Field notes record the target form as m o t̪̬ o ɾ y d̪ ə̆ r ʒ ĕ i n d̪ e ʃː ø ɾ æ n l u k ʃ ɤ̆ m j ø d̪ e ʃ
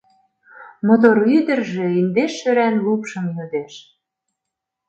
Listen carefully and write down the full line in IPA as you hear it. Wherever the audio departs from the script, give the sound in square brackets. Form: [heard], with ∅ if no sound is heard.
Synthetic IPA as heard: m o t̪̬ o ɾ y d̪ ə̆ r ʒ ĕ i n d̪ e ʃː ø ɾ æ n l u [p] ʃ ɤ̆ m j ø d̪ e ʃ